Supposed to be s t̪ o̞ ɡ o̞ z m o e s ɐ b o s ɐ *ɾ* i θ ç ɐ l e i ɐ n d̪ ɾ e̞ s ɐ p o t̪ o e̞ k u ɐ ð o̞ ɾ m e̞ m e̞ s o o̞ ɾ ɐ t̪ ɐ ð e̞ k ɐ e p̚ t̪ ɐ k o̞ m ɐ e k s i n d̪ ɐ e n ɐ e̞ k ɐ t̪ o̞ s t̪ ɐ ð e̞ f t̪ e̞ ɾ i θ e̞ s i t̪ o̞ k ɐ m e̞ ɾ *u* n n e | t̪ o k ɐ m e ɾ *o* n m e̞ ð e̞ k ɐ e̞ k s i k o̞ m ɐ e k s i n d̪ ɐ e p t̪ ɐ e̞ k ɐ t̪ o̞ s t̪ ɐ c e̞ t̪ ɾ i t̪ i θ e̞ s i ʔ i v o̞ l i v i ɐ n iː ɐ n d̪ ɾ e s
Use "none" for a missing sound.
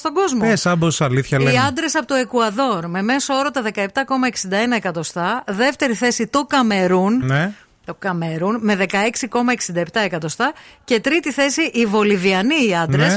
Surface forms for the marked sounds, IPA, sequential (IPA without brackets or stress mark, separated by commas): l, u, u